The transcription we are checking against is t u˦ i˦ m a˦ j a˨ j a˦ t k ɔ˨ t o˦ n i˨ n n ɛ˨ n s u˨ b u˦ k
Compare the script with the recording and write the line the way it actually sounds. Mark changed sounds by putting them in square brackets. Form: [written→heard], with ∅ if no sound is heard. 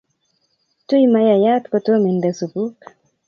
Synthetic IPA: t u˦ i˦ m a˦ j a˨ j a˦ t k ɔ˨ t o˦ [n→m] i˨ n [n→d] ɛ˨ [n→∅] s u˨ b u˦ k